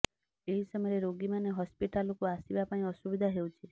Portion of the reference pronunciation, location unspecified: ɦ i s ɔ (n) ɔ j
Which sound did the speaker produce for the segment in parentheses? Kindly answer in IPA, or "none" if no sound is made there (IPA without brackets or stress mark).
m